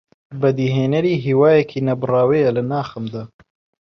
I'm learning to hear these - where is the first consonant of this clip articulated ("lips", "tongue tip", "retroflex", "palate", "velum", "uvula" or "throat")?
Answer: lips